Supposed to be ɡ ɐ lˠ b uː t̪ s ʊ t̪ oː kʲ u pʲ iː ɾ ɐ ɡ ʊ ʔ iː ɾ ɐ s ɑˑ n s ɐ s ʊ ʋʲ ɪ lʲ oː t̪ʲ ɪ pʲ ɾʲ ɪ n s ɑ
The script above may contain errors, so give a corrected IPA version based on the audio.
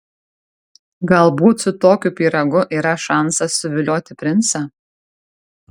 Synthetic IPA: ɡ ɐ lˠ b uː t̪ s ʊ t̪ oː kʲ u pʲ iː ɾ ɐ ɡ ʊ ʔ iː ɾ ɐ ʃ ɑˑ n s ɐ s ʊ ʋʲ ɪ lʲ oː t̪ʲ ɪ pʲ ɾʲ ɪ n s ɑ

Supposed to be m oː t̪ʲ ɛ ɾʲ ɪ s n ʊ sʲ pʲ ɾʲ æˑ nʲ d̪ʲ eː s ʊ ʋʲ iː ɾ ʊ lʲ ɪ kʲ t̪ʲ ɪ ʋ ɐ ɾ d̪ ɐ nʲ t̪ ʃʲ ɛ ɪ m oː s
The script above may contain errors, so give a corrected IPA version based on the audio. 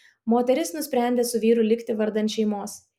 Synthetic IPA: m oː t̪ʲ ɛ ɾʲ ɪ s n ʊ sʲ pʲ ɾʲ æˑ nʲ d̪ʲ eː s ʊ ʋʲ iː ɾ ʊ lʲ ɪ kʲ t̪ʲ ɪ ʋ ɐ ɾ d̪ ɐ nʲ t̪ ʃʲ ɛ ɪ m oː s

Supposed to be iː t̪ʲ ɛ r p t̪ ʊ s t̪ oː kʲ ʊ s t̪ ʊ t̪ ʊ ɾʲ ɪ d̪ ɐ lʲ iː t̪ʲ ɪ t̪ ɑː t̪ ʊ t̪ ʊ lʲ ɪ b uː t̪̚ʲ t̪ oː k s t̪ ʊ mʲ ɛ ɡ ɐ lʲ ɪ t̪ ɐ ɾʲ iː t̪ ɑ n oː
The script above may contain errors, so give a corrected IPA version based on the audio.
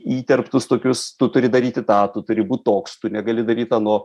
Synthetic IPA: iː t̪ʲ ɛ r p t̪ ʊ s t̪ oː kʲ ʊ s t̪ ʊ t̪ ʊ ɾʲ ɪ d̪ ɐ ɾʲ iː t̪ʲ ɪ t̪ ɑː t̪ ʊ t̪ ʊ ɾʲ ɪ b uː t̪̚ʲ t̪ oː k s t̪ ʊ nʲ ɛ ɡ ɐ lʲ ɪ d̪ ɐ ɾʲ iː t̪ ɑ n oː

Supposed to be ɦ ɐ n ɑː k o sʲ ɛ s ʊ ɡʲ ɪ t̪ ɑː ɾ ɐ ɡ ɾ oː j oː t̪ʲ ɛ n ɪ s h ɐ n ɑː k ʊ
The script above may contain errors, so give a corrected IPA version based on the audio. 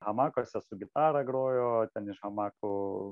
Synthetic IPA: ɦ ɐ m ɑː k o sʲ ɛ s ʊ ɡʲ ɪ t̪ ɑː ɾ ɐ ɡ ɾ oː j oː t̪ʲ ɛ n ɪ ʃ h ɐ m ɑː k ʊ

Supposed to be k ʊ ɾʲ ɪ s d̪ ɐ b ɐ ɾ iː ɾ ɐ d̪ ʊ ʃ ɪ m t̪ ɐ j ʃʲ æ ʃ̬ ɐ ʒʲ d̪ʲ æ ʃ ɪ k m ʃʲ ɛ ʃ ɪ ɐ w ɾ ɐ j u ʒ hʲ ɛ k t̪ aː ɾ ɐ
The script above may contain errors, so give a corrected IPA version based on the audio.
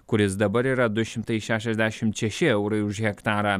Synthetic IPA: k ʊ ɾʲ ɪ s d̪ ɐ b ɐ ɾ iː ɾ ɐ d̪ ʊ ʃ ɪ m t̪ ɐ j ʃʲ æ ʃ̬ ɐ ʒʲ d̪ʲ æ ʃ ɪ m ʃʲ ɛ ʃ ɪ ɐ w ɾ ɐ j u ʒ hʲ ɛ k t̪ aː ɾ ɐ

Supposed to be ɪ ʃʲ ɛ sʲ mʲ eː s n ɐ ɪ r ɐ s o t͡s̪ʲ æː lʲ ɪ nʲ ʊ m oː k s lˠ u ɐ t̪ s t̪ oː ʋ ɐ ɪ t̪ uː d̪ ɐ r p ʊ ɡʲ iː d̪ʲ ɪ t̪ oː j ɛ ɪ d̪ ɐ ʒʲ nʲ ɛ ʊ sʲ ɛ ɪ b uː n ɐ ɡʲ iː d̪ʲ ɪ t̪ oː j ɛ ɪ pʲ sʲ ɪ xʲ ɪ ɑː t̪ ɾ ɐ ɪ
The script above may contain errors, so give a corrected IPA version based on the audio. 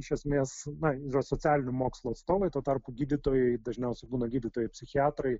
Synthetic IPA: ɪ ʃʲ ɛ sʲ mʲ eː s n ɐ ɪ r ɐ s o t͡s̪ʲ æː lʲ ɪ nʲ ʊ m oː k s lˠ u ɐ t̪ s t̪ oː ʋ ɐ ɪ t̪ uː t̪ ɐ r p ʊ ɡʲ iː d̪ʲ ɪ t̪ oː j ɛ ɪ d̪ ɐ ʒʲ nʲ ɛ ʊ sʲ ɛ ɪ b uː n ɐ ɡʲ iː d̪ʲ ɪ t̪ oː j ɛ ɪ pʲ sʲ ɪ xʲ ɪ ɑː t̪ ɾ ɐ ɪ

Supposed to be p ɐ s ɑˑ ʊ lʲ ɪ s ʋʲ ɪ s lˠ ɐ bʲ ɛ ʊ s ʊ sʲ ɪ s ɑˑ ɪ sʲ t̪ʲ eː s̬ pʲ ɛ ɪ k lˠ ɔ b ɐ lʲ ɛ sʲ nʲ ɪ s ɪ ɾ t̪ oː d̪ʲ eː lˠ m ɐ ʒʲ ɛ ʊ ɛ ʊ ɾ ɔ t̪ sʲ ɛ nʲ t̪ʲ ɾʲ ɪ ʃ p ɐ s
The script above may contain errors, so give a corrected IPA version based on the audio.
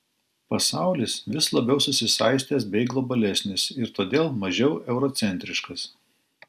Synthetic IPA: p ɐ s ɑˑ ʊ lʲ ɪ s ʋʲ ɪ s lˠ ɐ bʲ ɛ ʊ s ʊ sʲ ɪ s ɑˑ ɪ sʲ t̪ʲ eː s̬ bʲ ɛ ɪ ɡ lˠ ɔ b ɐ lʲ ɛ sʲ nʲ ɪ s ɪ ɾ t̪ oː d̪ʲ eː lˠ m ɐ ʒʲ ɛ ʊ ɛ ʊ ɾ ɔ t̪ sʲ ɛ nʲ t̪ʲ ɾʲ ɪ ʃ k ɐ s

